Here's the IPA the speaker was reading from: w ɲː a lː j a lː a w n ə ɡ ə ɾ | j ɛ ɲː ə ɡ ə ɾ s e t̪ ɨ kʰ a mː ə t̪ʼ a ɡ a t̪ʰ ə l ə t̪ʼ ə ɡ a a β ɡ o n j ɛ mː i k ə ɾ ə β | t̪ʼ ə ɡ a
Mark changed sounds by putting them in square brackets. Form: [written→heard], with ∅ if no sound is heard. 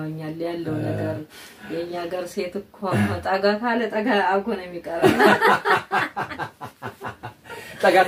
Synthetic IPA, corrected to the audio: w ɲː a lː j a lː [a→ə] w n ə ɡ ə ɾ | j ɛ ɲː [ə→a] ɡ ə ɾ s e t̪ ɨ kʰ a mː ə t̪ʼ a ɡ a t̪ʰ [ə→a] l ə t̪ʼ ə ɡ a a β ɡ o n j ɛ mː i [k→kʼ] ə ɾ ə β | t̪ʼ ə ɡ a

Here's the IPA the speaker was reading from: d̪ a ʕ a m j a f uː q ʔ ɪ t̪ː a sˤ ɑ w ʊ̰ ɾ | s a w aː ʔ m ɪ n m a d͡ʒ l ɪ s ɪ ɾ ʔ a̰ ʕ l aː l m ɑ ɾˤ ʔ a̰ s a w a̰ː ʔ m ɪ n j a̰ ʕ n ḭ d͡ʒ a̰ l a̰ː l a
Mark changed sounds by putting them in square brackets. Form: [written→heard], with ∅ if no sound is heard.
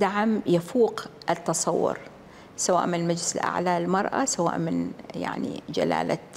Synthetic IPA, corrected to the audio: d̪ a ʕ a m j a f uː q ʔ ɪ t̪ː [a→ɑ] sˤ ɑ [w→wː] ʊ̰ ɾ | s a w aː ʔ m ɪ n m a d͡ʒ l ɪ s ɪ [ɾ→l] ʔ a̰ ʕ l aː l m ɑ ɾˤ ʔ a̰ s a w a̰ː ʔ m ɪ n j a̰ ʕ n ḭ d͡ʒ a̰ l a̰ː l a

